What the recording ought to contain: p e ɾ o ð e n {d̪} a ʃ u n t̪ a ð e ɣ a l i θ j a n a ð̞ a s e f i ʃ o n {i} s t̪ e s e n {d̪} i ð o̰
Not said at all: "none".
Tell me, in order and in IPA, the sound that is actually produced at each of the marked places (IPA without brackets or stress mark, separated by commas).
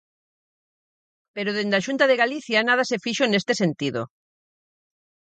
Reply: d̪, e, t̪